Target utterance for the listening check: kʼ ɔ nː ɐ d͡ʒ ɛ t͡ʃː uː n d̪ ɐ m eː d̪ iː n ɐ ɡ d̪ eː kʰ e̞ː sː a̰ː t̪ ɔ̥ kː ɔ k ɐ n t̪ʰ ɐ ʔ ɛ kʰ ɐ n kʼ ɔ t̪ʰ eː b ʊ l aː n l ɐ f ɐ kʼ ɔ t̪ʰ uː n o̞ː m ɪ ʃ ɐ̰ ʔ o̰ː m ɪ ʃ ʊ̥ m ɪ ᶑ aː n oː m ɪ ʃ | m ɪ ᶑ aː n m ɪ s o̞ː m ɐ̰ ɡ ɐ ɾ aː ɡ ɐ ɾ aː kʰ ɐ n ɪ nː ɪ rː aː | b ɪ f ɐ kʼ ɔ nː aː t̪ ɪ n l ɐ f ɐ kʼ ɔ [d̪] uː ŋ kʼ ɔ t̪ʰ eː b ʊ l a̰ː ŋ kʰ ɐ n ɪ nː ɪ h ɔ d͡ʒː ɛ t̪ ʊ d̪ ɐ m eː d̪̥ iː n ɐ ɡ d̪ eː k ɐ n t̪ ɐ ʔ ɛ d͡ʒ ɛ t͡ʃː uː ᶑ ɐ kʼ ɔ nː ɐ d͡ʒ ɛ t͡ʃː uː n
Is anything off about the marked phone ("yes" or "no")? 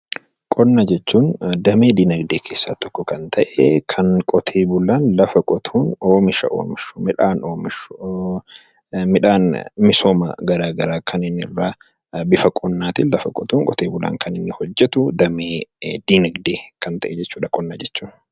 yes